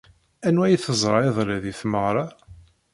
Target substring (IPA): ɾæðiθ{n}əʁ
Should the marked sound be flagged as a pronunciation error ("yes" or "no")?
yes